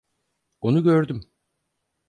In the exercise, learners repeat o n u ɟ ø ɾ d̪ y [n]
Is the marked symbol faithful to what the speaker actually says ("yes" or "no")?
no